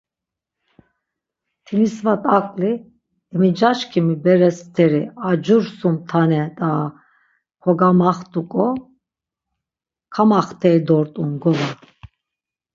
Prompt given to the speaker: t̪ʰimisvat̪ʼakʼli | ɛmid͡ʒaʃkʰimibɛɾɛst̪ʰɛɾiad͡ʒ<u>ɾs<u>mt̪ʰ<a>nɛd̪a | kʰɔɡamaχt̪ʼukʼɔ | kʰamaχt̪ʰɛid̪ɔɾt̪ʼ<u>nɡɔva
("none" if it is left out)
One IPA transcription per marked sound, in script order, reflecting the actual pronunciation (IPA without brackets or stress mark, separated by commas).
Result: u, u, a, u